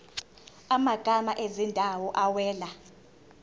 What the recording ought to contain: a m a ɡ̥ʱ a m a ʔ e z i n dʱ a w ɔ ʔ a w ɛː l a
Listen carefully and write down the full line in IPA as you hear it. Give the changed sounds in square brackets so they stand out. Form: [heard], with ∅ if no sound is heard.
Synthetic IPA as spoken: a m a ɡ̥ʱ a m a ʔ e z i n dʱ a w ɔ ʔ a w ɛː l a